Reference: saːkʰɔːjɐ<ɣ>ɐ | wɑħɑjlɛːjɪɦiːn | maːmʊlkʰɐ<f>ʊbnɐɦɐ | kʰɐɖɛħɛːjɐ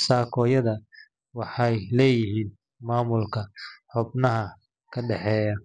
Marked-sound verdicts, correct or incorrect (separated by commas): incorrect, incorrect